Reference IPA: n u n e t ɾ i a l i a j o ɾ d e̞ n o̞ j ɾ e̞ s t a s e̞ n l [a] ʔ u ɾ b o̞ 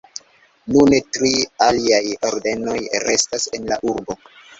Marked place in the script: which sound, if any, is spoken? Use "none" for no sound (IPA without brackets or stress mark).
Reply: a